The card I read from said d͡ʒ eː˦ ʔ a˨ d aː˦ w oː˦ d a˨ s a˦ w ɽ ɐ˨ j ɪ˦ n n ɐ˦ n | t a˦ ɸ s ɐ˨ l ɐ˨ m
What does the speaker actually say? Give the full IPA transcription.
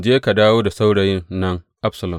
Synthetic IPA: d͡ʒ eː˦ k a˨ d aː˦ w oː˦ d a˨ s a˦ w ɽ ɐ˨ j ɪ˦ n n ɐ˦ ŋ | ʔ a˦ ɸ s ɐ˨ l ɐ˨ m